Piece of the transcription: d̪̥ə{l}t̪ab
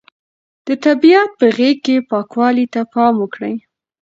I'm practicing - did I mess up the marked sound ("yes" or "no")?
yes